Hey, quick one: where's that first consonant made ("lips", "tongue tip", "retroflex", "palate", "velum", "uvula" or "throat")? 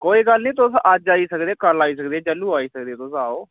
velum